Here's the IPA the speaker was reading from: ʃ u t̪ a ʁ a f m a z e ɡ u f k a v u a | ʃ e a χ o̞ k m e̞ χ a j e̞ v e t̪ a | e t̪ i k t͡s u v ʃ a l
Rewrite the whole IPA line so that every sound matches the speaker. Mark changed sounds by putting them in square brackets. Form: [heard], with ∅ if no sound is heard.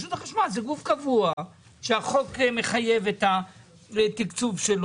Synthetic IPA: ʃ u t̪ a [χ] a [ʃ] m a z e ɡ u f k a v u a | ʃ e a χ o̞ k m e̞ χ a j e̞ v e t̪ a | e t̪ i k t͡s u v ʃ [e] l